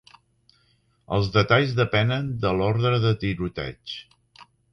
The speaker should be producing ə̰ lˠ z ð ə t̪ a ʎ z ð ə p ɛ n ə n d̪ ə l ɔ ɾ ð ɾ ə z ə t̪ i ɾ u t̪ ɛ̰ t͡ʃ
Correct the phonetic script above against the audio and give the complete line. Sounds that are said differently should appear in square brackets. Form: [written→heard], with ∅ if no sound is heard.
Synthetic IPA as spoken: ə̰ lˠ z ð ə t̪ a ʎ z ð ə p ɛ n ə n d̪ ə l ɔ ɾ ð ɾ ə [z→ð] ə t̪ i ɾ u t̪ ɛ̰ t͡ʃ